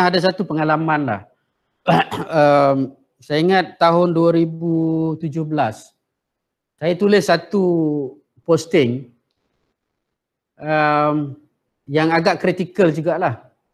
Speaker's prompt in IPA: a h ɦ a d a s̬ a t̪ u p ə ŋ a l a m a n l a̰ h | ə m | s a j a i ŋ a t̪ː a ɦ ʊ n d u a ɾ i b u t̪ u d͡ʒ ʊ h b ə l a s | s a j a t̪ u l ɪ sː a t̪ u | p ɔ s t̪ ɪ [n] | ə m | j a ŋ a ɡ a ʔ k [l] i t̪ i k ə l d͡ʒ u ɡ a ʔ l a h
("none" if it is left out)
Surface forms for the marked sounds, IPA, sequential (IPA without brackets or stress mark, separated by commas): ŋ, ɾ